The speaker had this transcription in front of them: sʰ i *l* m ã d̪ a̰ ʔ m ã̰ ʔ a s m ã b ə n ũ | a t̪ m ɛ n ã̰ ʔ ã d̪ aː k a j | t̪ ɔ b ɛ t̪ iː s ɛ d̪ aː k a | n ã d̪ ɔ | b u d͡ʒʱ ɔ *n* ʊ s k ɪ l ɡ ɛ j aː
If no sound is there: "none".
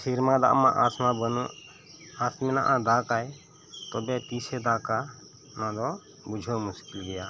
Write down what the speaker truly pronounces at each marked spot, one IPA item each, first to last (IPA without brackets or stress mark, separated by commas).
ɾ, m